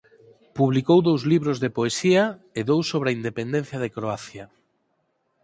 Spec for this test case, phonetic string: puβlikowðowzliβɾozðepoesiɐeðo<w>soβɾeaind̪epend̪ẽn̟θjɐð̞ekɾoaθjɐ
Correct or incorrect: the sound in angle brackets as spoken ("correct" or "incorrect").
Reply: correct